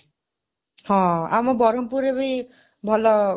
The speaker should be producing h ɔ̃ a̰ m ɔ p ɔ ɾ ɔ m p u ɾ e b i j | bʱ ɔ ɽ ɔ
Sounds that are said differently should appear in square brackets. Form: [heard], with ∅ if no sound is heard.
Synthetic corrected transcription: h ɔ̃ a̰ m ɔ [b] ɔ ɾ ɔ m p u ɾ e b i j | bʱ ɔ [l] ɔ